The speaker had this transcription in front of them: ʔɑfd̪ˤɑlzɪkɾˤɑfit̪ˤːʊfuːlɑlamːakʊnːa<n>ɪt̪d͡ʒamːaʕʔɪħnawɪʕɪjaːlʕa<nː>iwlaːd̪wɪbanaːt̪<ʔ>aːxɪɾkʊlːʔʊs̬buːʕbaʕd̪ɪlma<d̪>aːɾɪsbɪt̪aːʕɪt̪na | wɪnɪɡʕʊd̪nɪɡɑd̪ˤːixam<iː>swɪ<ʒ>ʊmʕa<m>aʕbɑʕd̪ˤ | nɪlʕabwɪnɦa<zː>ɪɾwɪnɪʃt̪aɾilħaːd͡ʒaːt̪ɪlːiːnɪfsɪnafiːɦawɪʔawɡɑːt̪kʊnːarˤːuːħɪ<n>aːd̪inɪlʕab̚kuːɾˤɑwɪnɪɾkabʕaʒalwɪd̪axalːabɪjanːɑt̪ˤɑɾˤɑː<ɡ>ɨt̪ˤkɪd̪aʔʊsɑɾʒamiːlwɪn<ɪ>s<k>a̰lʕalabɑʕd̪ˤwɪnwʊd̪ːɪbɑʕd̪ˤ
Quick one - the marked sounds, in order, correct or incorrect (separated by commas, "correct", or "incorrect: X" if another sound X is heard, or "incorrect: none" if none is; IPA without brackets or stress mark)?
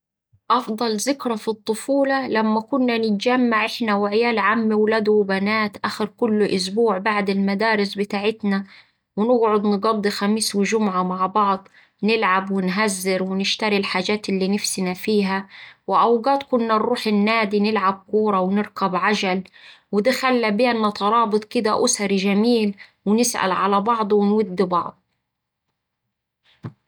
correct, incorrect: mː, correct, correct, correct, correct, correct, correct, incorrect: nː, incorrect: b, correct, incorrect: ʔ